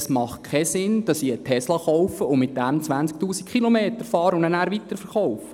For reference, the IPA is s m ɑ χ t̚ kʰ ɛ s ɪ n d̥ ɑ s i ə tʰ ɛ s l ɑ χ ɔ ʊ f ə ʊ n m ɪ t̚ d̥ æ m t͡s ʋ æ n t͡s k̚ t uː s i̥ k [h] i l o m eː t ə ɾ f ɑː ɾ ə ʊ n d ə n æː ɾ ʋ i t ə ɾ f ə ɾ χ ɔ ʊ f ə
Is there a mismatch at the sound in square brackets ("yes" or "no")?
yes